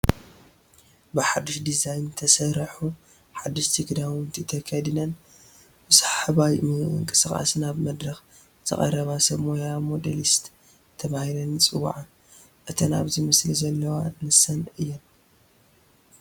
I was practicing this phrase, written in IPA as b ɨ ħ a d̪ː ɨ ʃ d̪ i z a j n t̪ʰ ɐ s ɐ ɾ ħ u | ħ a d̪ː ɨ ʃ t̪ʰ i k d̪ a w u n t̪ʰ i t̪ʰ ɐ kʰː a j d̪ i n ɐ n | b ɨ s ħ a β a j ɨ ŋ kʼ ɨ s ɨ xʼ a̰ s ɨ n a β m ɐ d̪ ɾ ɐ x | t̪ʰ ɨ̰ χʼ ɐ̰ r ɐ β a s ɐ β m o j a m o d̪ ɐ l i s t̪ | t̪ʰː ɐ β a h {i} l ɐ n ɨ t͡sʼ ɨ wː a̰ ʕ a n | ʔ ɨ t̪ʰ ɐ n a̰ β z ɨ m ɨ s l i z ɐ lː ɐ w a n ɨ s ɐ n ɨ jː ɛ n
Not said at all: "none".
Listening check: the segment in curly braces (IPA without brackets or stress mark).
i